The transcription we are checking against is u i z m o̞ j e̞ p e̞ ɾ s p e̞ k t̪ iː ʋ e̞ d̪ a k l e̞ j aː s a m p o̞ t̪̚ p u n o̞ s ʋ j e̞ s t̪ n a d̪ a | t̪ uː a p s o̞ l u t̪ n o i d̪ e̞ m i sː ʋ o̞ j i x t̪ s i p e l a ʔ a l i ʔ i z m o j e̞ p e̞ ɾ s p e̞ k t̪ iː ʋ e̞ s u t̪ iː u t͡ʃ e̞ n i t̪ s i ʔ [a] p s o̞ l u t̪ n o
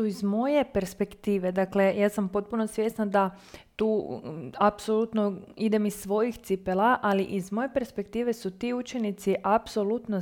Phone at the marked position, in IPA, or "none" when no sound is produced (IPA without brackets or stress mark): a